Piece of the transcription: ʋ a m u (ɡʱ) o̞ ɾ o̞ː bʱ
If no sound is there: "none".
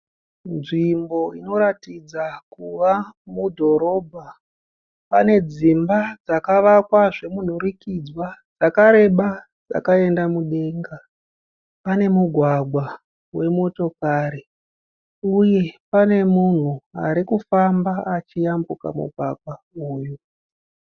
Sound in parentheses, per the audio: dʱ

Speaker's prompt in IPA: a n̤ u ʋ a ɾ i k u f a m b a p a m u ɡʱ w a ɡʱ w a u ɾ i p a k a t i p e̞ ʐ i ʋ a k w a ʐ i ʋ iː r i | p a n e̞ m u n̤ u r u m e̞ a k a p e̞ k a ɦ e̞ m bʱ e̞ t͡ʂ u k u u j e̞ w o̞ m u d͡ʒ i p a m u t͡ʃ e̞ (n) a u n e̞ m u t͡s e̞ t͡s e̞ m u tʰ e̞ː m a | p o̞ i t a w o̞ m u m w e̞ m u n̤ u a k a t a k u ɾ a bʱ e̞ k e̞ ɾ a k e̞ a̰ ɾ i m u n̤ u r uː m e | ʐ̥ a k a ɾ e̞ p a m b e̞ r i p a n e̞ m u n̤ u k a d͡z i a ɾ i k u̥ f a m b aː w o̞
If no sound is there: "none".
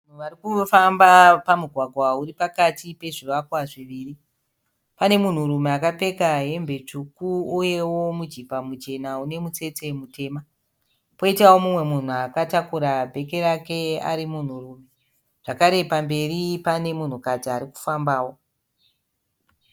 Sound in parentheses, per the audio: n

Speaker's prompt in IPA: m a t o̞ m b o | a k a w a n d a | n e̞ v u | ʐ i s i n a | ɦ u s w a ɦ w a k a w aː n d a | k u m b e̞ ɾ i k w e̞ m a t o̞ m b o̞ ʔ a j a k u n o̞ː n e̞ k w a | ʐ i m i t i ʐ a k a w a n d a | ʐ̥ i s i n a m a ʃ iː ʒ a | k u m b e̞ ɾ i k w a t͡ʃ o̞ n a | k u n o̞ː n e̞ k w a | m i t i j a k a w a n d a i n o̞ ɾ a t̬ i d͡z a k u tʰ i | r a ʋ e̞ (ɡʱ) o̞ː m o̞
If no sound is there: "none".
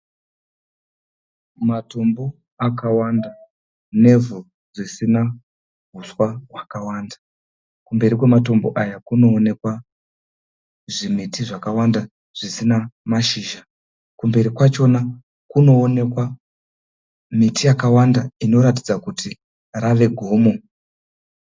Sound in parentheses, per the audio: ɡʱ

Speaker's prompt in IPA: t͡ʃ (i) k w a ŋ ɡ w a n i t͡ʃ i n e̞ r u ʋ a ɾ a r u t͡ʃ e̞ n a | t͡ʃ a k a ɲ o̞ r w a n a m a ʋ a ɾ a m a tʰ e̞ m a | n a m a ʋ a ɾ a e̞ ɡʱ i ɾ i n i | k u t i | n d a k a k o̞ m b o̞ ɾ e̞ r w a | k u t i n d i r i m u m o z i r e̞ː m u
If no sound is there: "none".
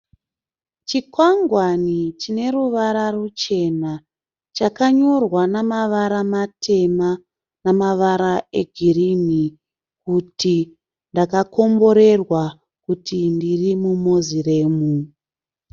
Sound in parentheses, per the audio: i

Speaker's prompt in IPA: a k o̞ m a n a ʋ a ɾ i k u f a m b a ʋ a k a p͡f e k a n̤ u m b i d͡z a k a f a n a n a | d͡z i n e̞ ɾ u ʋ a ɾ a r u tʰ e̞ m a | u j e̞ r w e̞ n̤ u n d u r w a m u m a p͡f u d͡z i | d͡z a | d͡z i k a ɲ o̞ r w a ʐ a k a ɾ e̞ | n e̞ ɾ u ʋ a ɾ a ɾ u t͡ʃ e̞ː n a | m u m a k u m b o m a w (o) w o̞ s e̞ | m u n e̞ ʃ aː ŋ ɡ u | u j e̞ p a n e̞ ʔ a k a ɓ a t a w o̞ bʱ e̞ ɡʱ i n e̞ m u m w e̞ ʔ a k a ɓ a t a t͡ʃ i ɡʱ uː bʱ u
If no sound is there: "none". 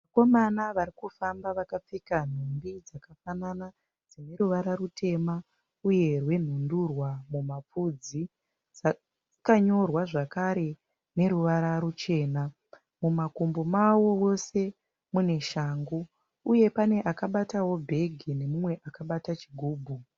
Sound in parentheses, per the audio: o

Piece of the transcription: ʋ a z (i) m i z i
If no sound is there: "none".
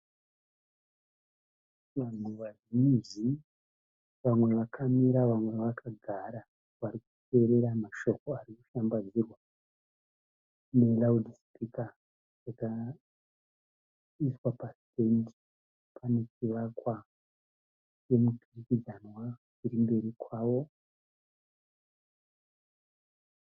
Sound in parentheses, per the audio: i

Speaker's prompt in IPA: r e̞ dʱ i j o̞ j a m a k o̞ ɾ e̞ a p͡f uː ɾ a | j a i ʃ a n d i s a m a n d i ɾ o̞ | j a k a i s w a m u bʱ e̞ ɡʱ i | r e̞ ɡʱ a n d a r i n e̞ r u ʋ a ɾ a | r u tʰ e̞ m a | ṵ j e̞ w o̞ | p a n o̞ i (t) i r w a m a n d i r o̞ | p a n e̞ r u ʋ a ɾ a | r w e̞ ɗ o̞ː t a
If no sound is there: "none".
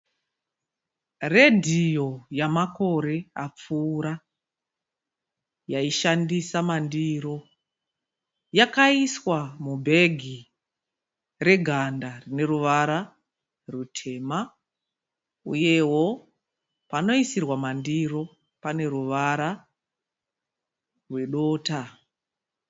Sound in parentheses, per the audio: s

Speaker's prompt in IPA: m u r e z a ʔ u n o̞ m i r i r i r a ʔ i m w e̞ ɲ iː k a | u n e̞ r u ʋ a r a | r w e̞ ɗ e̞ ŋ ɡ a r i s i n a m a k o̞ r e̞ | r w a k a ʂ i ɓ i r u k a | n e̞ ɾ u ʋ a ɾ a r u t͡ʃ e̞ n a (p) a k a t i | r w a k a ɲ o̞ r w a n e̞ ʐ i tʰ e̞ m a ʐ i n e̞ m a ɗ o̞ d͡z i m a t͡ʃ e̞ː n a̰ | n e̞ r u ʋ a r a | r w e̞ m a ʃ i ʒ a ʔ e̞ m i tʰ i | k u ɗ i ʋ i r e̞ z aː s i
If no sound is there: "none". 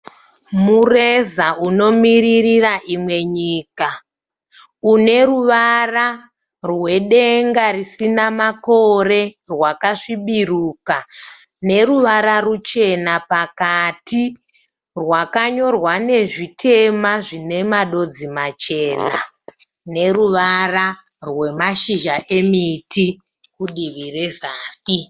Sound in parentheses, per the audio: p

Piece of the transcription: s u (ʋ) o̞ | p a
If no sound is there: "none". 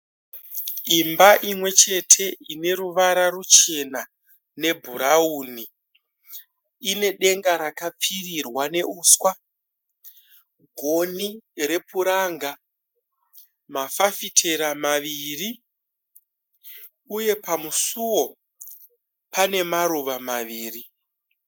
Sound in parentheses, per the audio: w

